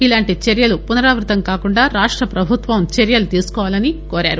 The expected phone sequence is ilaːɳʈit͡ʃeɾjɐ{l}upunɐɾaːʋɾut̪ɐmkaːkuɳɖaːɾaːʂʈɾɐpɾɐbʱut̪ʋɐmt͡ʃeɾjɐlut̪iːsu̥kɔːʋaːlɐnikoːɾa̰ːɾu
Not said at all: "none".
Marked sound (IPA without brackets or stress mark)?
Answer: l